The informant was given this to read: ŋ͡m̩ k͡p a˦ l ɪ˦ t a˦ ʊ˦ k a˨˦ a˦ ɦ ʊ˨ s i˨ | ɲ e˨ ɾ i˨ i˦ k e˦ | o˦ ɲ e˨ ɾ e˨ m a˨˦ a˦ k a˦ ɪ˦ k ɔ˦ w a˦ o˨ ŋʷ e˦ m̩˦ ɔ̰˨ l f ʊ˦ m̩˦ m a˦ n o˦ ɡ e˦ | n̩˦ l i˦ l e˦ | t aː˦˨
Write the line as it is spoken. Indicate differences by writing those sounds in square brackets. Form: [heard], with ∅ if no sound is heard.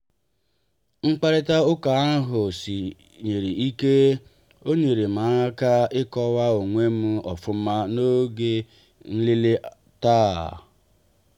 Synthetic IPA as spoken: ŋ͡m̩ k͡p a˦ [ɾ] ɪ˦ t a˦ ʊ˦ k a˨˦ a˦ ɦ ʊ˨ s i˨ | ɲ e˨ ɾ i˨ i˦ k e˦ | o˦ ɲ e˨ ɾ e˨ m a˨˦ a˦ k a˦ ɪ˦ k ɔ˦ w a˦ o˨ ŋʷ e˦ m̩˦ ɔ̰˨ [∅] f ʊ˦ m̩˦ m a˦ n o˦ ɡ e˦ | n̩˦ l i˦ l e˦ | t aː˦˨